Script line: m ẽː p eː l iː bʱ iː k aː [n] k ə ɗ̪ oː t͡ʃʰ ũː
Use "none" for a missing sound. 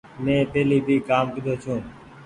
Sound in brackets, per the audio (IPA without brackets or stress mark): m